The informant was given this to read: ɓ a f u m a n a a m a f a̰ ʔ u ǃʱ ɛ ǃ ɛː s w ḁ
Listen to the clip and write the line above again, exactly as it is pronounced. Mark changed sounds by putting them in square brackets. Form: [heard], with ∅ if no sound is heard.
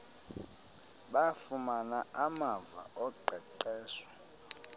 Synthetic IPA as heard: ɓ a f u m a n a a m a [v] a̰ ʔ [ɔ] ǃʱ ɛ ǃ ɛː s w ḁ